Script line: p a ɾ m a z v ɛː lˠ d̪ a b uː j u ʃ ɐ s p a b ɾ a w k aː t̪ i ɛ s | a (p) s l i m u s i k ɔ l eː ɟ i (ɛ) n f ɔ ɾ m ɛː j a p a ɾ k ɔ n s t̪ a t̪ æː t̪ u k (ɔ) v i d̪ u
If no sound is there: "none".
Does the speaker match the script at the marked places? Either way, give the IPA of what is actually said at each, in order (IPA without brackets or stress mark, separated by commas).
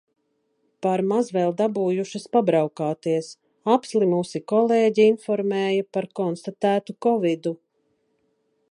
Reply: p, i, ɔ